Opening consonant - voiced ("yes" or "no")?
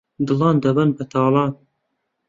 yes